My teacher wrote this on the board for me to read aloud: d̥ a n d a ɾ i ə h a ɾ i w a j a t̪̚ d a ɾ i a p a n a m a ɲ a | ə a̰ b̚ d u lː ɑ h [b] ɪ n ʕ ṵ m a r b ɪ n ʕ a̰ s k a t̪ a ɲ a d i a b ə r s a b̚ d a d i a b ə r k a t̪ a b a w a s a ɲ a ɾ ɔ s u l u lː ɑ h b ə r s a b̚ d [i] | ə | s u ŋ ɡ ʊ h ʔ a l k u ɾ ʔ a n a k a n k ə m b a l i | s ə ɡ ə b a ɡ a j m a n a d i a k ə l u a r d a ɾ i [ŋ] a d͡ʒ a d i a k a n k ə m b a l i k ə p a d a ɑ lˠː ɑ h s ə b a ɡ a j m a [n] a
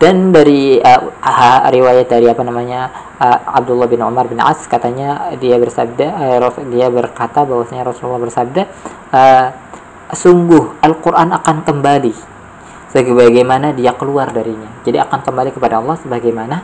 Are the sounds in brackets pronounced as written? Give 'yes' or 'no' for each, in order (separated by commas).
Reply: yes, no, no, yes